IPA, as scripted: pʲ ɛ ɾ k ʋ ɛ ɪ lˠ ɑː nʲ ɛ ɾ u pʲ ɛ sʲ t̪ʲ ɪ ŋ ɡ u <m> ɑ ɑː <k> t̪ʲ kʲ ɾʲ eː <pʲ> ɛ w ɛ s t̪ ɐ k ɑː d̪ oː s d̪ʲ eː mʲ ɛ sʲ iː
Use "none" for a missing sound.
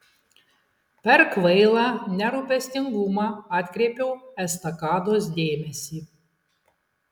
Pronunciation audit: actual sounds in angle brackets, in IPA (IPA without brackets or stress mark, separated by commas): m, none, pʲ